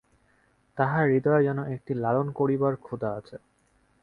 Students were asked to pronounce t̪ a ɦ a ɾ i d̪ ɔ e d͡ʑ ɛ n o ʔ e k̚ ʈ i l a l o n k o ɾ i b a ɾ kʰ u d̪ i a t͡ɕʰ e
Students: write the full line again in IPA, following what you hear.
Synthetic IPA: t̪ a ɦ a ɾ i d̪ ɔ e d͡ʑ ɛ n o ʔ e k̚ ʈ i l a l o n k o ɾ i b a ɾ kʰ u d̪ a a t͡ɕʰ e